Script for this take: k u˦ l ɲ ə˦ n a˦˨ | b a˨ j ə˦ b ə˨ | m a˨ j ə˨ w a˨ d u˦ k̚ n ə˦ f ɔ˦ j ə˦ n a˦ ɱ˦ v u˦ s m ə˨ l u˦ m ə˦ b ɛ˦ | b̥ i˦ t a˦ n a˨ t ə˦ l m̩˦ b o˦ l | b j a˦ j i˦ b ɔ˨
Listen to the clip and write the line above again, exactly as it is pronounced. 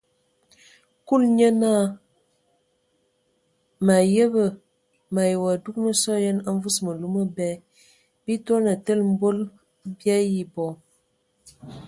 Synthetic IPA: k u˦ l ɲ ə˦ n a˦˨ | m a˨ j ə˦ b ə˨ | m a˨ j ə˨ w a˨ d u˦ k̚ n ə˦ s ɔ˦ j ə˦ n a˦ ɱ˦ v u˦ s m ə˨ l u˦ m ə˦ b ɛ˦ | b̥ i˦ t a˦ n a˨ t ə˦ l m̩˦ b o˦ l | b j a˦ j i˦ b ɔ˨